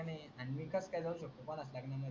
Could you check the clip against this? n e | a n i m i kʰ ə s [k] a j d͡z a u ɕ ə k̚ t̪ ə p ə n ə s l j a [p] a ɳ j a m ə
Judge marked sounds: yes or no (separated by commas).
yes, no